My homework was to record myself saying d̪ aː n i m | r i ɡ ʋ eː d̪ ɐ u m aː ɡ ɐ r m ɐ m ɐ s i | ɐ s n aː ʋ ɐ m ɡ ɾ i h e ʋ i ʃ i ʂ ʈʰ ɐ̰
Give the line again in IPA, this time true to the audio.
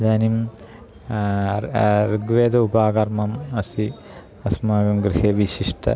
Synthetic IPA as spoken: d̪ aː n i m | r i ɡ ʋ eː d̪ ɐ u b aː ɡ ɐ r m ɐ m ɐ s i | ɐ s m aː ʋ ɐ m ɡ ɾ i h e ʋ i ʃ i ʂ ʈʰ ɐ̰